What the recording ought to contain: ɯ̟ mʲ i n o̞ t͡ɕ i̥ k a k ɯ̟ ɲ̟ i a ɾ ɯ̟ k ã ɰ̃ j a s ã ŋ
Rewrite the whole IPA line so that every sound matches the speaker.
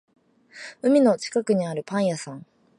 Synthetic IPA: ɯ̟ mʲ i n o̞ t͡ɕ i̥ k a k ɯ̟ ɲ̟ i a ɾ ɯ̟ p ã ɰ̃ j a s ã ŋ